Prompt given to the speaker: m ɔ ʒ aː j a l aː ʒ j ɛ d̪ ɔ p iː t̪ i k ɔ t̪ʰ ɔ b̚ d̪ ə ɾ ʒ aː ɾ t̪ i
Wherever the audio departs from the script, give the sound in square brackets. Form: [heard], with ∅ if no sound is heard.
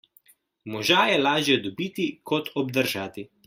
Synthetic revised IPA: m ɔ ʒ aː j [ɛ] l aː ʒ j ɛ d̪ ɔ [b] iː t̪ i k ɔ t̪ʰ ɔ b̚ d̪ ə ɾ ʒ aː [∅] t̪ i